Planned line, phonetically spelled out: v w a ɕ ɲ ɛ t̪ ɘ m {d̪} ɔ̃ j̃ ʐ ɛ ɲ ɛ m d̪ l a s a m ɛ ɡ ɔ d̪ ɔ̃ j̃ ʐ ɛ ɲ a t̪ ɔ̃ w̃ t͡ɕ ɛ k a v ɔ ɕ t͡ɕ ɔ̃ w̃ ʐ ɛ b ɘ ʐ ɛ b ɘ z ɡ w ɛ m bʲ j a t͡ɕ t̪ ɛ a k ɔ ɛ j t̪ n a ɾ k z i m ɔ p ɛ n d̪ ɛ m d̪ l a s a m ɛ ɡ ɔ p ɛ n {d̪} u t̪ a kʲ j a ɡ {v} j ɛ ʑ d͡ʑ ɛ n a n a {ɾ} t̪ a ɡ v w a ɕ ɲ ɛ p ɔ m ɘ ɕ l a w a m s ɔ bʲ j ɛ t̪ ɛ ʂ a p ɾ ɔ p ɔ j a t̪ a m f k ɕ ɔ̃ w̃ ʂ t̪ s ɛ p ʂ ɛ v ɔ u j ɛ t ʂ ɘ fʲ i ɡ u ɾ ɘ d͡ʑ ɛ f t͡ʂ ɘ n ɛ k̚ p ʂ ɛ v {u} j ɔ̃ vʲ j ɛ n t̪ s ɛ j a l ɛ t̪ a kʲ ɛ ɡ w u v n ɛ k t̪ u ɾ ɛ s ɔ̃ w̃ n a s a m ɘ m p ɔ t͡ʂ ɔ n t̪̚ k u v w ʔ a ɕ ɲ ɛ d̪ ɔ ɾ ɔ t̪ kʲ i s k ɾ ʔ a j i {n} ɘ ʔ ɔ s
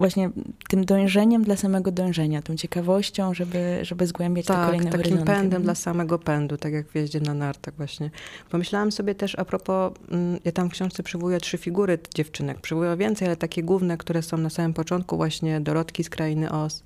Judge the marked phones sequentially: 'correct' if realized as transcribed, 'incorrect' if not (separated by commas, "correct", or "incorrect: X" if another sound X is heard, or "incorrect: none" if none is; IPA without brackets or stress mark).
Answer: correct, correct, correct, correct, correct, correct